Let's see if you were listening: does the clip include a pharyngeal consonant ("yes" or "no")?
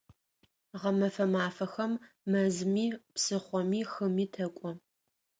no